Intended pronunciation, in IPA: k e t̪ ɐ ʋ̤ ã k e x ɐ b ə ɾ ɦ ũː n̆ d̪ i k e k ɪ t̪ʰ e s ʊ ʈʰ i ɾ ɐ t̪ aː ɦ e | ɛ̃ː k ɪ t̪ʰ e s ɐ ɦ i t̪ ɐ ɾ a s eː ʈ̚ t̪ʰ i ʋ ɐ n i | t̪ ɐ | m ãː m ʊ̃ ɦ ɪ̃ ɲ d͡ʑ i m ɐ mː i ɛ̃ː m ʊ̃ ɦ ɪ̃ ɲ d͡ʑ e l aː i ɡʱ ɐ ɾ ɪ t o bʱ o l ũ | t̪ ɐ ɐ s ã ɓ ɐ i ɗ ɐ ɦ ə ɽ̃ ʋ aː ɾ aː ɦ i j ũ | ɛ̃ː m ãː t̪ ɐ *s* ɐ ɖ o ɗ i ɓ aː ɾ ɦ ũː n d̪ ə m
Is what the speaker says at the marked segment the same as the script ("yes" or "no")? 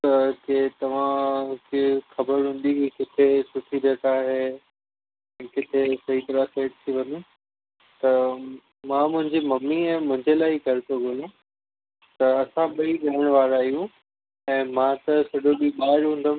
yes